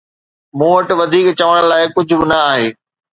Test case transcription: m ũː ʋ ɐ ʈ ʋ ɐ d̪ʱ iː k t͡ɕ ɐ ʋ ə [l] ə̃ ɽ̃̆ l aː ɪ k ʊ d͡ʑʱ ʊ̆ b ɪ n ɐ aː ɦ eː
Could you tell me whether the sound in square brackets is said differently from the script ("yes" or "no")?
yes